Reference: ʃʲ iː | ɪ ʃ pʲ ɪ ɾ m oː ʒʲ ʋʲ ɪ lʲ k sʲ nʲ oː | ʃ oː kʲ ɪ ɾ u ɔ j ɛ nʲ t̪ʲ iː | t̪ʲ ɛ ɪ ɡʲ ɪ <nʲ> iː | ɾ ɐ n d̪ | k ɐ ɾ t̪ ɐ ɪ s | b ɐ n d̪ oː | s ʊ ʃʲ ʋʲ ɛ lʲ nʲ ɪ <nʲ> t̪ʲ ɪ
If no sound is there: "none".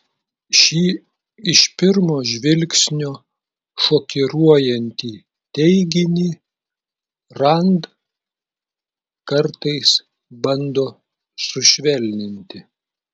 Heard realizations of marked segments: nʲ, nʲ

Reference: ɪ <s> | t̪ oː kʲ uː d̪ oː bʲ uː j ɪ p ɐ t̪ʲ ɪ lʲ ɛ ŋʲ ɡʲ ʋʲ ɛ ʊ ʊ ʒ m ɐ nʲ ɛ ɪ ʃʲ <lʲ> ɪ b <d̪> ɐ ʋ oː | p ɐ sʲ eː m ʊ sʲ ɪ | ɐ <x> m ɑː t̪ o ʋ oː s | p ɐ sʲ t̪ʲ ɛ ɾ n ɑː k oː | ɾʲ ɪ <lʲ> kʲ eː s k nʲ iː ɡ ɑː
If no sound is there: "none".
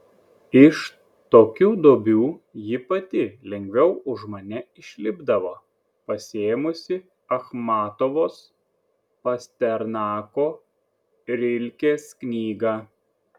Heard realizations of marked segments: ʃ, lʲ, d̪, x, lʲ

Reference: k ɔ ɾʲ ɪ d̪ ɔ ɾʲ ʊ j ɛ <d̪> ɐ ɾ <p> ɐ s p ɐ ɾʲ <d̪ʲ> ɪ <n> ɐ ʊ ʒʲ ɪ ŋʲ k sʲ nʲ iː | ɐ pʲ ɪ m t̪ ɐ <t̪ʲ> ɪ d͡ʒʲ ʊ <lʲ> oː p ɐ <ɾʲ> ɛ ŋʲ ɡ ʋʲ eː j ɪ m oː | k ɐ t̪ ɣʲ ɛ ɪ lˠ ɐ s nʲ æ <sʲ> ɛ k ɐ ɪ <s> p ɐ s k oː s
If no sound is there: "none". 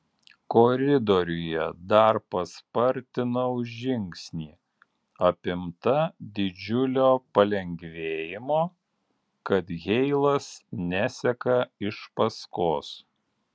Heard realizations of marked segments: d̪, p, t̪ʲ, n, d̪ʲ, lʲ, lʲ, sʲ, ʃ

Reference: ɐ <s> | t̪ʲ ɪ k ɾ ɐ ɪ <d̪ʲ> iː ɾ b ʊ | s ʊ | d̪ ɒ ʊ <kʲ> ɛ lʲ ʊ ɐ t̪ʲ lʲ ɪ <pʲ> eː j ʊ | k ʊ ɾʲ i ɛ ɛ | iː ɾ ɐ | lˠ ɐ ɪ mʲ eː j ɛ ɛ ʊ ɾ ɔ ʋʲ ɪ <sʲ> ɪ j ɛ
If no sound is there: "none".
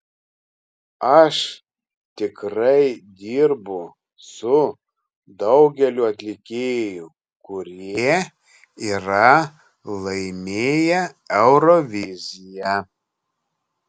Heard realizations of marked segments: ʃ, d̪ʲ, ɡʲ, kʲ, zʲ

